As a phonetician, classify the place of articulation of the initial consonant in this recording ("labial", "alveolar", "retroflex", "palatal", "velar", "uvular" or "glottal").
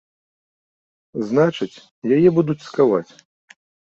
alveolar